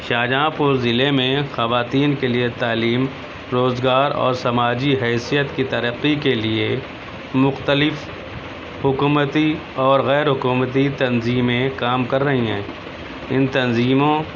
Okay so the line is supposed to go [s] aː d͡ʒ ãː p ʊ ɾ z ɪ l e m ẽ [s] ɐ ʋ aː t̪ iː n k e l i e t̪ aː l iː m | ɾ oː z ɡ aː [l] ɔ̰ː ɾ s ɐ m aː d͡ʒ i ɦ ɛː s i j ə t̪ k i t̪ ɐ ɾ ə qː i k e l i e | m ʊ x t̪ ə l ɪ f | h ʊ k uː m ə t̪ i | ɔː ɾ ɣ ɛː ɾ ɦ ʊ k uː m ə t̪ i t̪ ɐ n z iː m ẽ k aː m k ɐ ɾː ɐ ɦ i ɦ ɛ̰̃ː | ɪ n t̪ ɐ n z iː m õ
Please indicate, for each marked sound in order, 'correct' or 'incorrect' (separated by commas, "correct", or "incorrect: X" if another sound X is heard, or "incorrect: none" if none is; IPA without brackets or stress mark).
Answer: incorrect: ʃ, incorrect: x, incorrect: ɾ